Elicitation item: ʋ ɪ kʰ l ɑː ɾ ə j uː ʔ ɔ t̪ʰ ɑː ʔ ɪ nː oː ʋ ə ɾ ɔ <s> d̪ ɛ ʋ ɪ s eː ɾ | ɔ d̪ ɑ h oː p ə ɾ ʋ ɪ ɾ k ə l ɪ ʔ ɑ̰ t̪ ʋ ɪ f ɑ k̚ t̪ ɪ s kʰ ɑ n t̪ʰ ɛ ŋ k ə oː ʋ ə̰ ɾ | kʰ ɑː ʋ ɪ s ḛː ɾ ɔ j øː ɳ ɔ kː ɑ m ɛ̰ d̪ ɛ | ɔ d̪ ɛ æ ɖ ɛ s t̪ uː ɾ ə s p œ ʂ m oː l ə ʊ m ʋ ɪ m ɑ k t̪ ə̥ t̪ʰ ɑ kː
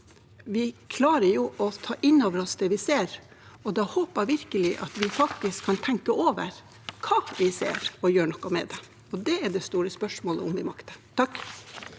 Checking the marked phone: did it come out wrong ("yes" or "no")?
no